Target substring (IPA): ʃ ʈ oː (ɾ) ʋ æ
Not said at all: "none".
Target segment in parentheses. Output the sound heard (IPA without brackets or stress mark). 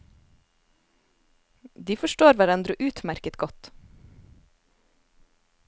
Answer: ɾ